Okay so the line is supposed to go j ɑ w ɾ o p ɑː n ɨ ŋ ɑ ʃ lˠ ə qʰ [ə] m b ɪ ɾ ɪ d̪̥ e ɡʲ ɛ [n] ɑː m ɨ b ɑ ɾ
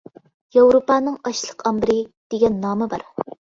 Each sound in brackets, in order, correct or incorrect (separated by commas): incorrect, incorrect